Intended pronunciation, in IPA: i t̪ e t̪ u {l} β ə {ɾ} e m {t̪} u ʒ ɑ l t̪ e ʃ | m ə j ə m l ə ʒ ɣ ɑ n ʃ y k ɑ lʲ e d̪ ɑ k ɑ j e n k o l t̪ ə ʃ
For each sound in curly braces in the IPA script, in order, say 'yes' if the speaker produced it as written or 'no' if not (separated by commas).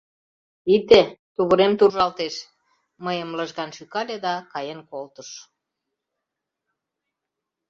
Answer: no, yes, yes